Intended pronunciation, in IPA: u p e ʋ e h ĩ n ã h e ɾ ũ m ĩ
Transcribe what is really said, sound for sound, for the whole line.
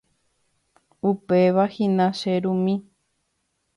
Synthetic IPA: u p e ʋ a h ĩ n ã ʃ e ɾ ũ m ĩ